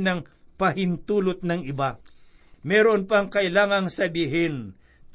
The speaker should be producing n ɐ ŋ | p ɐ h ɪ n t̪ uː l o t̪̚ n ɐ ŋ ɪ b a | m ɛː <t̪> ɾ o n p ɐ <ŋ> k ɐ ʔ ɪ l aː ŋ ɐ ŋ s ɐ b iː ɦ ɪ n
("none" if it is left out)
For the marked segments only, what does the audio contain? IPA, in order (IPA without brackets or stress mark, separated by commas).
none, ŋ